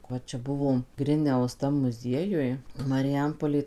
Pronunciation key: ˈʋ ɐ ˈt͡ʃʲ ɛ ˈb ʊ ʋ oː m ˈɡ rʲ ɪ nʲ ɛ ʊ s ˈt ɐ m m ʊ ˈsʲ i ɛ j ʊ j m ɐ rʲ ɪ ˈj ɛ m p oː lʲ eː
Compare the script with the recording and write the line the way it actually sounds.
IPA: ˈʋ ɐ ˈt͡ʃʲ ɛ ˈb ʊ ʋ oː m ˈɡ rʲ ɪ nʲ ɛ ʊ s ˈt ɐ m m ʊ ˈzʲ i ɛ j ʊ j m ɐ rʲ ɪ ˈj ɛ m p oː lʲ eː